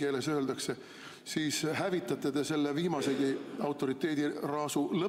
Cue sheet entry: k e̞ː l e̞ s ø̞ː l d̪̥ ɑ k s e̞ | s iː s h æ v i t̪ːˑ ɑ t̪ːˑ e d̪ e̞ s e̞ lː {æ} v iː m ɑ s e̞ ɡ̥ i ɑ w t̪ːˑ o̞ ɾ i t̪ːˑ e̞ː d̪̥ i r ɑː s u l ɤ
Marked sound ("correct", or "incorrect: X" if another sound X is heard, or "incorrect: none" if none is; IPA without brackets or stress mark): incorrect: e